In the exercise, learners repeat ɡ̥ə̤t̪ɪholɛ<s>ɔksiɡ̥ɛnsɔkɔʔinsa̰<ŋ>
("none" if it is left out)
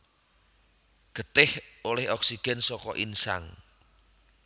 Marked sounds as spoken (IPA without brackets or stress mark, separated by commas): h, ŋ